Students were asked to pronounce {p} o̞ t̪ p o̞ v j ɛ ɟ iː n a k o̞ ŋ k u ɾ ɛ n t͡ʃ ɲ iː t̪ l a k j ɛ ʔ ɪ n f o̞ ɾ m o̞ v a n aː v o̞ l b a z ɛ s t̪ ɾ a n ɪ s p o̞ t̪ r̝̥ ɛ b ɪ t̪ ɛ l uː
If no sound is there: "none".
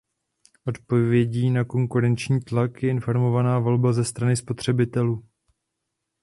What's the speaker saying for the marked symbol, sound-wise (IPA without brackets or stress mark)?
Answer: ʔ